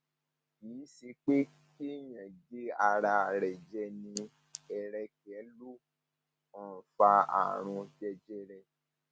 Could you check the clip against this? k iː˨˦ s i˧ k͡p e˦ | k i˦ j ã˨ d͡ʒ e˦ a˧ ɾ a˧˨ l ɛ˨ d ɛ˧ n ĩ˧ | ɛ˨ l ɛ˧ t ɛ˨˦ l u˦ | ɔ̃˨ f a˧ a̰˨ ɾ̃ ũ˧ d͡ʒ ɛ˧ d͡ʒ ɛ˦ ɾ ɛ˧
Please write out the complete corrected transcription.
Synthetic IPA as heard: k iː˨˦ s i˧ k͡p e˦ | k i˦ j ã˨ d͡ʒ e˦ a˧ ɾ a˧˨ ɾ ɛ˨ d͡ʒ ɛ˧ n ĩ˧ | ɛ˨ ɾ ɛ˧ k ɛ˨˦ l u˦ | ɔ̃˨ f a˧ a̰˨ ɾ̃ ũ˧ d͡ʒ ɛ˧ d͡ʒ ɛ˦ ɾ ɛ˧